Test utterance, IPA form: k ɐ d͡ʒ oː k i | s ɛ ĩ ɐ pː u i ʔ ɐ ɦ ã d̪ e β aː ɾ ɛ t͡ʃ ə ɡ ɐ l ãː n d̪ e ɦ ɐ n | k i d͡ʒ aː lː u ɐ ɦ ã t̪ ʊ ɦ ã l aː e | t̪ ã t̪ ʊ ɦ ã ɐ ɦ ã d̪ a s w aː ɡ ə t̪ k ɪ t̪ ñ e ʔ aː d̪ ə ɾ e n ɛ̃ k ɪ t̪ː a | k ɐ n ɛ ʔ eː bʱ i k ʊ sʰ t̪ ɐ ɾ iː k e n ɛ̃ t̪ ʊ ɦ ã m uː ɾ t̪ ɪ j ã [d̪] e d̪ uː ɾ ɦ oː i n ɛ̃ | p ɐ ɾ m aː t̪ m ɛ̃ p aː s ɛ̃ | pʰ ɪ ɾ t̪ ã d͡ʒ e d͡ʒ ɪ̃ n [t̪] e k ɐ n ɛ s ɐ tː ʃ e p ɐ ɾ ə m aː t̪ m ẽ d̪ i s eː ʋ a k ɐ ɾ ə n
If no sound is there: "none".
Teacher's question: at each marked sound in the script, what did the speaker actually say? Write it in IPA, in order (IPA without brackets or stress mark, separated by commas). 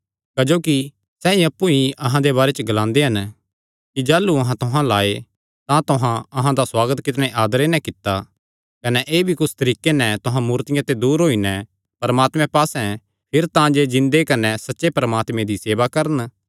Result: t̪, d̪